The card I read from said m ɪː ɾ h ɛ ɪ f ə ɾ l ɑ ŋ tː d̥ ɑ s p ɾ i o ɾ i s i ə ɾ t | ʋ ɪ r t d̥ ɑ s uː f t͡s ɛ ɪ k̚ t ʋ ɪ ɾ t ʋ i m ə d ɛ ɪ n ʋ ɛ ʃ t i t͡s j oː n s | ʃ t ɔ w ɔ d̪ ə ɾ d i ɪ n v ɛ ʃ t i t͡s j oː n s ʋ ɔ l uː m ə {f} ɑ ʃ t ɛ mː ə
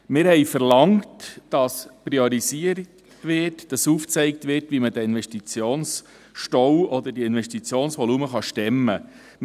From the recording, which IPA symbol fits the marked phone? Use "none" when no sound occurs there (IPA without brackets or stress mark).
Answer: χ